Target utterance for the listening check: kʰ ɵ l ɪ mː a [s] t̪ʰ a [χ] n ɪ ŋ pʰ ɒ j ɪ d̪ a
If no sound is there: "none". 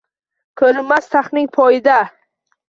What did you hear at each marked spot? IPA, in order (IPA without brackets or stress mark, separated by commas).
s, χ